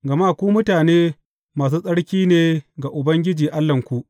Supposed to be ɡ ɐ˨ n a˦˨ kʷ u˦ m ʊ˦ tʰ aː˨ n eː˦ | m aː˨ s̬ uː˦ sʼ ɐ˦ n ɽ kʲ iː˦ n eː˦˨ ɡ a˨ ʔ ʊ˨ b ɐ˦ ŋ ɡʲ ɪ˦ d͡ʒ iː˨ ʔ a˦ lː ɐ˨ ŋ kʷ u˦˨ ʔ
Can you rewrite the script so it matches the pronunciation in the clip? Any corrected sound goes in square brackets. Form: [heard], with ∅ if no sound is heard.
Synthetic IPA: ɡ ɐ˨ [m] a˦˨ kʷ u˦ m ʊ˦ [t] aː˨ n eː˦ | m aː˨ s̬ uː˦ sʼ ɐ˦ [∅] ɽ kʲ iː˦ n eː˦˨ ɡ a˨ ʔ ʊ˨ b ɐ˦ ŋ ɡʲ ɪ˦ d͡ʒ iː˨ ʔ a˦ lː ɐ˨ ŋ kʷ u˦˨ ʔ